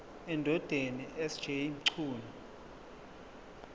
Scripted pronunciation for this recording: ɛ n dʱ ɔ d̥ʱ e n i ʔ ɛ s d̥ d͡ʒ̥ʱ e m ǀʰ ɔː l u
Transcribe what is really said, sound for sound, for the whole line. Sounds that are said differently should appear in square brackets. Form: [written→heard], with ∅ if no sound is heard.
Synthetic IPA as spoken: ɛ n dʱ ɔ d̥ʱ e n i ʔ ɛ s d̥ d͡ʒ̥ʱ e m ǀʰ [ɔː→uː] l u